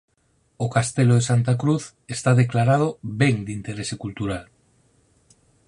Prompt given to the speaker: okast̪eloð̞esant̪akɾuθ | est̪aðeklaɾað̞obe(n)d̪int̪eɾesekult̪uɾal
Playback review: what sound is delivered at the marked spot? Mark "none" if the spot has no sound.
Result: ŋ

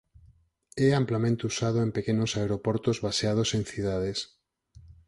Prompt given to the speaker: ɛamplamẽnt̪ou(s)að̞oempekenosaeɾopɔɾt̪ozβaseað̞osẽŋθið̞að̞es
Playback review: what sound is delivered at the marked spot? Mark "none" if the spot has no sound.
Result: s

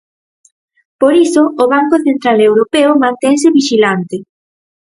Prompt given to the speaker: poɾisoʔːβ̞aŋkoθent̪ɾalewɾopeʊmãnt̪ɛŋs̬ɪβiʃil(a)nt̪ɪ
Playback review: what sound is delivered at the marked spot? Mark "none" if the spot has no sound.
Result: a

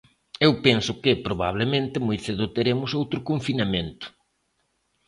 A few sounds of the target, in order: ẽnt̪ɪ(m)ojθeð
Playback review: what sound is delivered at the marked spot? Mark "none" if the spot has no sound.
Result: m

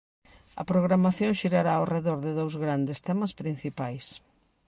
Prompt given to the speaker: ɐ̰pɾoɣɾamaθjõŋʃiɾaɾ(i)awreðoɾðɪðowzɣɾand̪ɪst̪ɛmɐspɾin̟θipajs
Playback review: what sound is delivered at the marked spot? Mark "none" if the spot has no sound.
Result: a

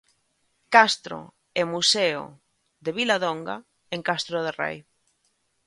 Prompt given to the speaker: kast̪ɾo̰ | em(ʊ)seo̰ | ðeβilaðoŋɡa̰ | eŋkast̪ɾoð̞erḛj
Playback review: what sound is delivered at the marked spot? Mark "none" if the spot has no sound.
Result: u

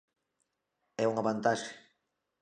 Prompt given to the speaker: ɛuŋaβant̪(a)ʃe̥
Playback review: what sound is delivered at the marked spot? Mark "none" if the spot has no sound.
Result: a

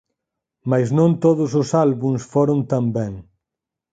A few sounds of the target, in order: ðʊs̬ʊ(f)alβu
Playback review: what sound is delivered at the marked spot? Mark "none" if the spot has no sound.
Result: s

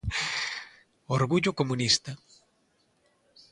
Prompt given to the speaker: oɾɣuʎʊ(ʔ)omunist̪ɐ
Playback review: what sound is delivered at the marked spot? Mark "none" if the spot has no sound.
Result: k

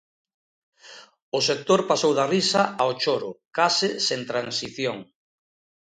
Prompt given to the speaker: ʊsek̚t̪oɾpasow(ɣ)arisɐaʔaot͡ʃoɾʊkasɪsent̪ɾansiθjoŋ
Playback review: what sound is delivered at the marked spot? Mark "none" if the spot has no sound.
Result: ð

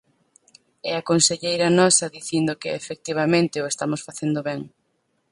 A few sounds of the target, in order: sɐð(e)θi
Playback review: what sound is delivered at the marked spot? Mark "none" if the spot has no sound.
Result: i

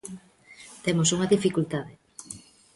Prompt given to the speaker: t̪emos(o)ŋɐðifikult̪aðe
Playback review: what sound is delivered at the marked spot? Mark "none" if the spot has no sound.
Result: u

